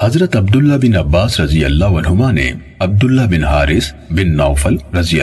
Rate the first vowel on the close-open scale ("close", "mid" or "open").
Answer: open